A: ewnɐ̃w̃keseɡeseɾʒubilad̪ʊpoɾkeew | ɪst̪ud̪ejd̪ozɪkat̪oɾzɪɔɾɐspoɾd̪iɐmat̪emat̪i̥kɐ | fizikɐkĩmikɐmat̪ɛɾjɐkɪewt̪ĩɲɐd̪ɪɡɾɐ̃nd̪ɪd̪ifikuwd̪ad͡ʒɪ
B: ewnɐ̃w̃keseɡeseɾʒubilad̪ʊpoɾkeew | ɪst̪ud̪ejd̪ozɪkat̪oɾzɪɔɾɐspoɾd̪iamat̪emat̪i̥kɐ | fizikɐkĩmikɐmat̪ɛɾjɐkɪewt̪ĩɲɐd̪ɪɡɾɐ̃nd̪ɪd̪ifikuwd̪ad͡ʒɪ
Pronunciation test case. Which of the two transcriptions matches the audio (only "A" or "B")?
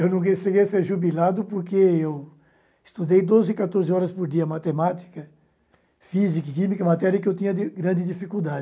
A